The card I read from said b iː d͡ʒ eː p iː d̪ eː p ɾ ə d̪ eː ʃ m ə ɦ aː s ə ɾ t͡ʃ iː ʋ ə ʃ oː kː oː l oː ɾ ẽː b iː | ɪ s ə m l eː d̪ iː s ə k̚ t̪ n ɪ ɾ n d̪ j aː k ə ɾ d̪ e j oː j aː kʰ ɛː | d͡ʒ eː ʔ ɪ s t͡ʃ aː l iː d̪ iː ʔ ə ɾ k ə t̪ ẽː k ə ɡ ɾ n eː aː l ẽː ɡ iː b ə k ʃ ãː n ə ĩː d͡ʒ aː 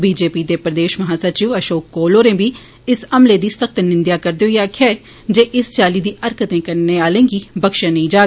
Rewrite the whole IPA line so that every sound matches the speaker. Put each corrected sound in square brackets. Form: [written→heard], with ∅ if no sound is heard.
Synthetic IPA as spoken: b iː d͡ʒ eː p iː d̪ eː p ɾ ə d̪ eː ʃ m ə ɦ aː s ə ɾ t͡ʃ iː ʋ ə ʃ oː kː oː l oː ɾ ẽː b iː | ɪ s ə m l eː d̪ iː s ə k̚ t̪ n ɪ [ɾ→∅] n d̪ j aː k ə ɾ d̪ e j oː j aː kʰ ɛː | d͡ʒ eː ʔ ɪ s t͡ʃ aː l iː d̪ iː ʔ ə ɾ k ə t̪ ẽː k ə [ɡ→∅] ɾ n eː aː l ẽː ɡ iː b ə k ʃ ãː n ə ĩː d͡ʒ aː